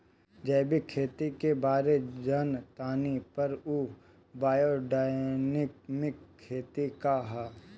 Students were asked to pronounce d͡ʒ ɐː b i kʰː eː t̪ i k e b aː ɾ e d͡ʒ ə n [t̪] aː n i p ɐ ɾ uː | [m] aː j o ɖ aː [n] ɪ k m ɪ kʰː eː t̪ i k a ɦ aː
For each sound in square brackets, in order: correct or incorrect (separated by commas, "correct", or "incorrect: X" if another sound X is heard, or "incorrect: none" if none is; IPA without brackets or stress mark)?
correct, incorrect: b, correct